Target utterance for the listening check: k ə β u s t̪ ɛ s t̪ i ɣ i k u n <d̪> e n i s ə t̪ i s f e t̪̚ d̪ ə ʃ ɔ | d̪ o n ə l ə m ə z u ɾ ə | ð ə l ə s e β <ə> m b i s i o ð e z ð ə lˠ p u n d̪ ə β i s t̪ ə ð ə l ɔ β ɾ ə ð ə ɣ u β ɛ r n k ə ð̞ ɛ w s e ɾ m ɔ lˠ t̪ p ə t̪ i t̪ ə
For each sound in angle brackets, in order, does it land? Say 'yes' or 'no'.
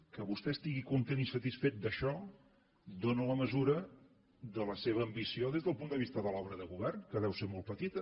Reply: no, no

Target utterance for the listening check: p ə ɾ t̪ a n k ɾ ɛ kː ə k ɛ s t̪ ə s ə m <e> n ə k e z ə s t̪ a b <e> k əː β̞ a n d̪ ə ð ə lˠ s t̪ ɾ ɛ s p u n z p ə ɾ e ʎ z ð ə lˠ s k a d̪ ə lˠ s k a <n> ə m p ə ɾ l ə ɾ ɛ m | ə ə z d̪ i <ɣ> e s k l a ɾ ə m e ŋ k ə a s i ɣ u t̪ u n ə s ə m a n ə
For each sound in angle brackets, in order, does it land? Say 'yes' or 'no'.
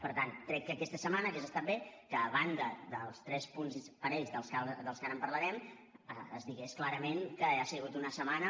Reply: no, yes, yes, yes

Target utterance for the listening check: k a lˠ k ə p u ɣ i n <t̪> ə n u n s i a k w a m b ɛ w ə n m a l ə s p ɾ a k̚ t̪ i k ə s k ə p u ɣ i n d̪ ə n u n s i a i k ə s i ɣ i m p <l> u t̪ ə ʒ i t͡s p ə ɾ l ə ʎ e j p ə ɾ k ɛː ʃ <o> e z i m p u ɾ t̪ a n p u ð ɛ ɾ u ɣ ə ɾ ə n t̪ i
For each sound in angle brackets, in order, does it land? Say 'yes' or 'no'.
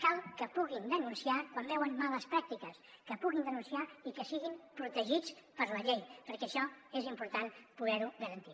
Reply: no, no, no

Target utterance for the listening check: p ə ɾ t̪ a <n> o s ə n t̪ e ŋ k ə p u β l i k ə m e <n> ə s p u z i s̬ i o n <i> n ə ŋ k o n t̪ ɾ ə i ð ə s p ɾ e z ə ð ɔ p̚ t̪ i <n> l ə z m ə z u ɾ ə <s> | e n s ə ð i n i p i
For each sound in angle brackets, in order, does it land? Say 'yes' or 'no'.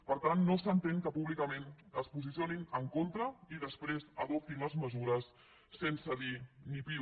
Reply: no, yes, yes, yes, no

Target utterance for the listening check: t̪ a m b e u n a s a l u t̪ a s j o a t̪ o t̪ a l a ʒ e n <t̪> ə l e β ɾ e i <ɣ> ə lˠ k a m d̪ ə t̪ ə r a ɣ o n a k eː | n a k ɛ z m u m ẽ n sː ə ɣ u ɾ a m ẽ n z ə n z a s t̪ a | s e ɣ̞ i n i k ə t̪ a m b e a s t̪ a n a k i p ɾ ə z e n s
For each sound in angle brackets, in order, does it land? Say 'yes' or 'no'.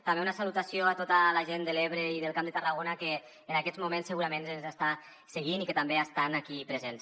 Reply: no, no

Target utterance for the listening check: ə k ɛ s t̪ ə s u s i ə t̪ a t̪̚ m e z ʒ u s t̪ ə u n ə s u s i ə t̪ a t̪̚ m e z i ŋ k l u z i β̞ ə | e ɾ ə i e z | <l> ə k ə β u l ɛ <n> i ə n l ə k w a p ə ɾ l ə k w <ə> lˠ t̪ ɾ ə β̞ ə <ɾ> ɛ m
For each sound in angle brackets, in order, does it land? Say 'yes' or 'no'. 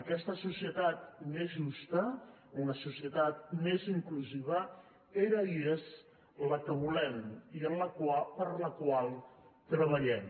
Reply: yes, no, no, no

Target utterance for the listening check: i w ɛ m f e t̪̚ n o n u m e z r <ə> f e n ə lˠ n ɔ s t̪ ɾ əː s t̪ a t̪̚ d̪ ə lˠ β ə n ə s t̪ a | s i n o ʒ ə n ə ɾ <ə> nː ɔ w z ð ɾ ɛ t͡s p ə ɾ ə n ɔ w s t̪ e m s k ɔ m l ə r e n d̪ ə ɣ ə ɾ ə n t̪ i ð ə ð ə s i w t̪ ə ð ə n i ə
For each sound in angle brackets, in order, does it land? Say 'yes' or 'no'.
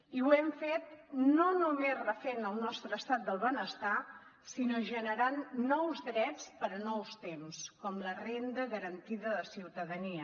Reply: yes, no

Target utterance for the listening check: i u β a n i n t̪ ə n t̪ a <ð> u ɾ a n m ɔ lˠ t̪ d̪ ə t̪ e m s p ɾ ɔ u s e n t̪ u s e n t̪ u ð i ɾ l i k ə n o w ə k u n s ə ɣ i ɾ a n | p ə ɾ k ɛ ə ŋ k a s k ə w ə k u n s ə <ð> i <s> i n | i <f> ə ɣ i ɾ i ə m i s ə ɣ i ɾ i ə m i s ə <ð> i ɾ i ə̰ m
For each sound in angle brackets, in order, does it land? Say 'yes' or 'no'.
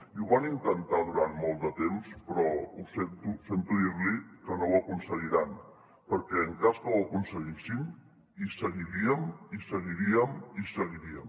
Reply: yes, no, yes, no, no

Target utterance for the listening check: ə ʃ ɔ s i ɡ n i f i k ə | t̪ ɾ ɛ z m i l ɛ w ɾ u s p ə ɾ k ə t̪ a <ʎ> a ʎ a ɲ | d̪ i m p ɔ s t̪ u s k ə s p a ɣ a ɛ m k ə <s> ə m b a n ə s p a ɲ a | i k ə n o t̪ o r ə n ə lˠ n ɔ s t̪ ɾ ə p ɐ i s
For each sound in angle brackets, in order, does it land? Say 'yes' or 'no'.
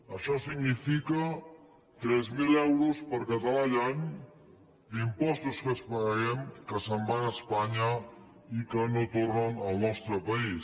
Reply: no, yes

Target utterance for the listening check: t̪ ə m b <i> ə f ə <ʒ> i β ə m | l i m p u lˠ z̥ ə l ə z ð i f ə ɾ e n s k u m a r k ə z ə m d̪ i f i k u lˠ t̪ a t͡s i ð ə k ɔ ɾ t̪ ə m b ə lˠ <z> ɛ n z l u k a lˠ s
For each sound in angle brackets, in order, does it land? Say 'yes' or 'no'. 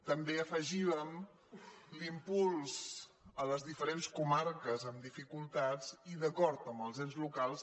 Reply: no, yes, yes

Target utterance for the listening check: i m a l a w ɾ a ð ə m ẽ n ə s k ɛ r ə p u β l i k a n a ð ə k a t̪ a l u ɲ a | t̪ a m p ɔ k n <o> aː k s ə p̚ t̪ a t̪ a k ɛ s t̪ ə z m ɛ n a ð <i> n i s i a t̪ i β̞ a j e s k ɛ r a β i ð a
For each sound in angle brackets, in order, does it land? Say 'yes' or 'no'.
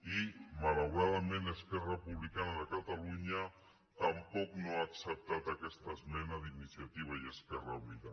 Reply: yes, yes

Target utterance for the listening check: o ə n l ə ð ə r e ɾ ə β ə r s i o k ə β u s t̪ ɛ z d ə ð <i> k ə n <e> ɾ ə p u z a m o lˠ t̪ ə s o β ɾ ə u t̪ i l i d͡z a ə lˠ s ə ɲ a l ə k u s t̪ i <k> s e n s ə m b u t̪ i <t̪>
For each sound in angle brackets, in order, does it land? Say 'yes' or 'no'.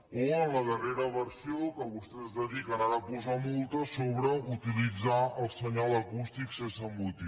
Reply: yes, no, yes, no

